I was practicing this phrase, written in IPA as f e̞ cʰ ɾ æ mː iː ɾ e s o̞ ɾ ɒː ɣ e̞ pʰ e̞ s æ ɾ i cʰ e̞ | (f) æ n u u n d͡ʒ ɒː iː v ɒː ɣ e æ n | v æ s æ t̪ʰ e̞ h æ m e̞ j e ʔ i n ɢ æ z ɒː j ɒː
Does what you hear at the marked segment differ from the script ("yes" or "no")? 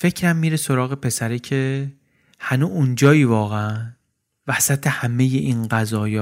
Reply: yes